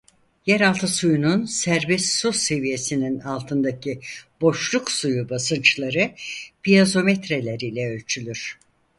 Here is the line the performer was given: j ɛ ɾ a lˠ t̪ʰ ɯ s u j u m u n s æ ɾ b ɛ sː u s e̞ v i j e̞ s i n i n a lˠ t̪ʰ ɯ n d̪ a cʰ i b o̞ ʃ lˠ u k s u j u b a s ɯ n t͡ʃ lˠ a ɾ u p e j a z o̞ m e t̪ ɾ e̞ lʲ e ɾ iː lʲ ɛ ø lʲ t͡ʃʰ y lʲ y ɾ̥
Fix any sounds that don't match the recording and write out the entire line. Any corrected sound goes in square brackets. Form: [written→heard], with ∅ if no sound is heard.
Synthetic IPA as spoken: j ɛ ɾ a lˠ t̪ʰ ɯ s u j u [m→n] u n s æ ɾ b ɛ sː u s e̞ v i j e̞ s i n i n a lˠ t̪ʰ ɯ n d̪ a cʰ i b o̞ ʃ lˠ u k s u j u b a s ɯ n t͡ʃ lˠ a ɾ [u→ɯ] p [e→i] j a z o̞ m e t̪ ɾ e̞ lʲ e ɾ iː lʲ ɛ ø lʲ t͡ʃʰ y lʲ y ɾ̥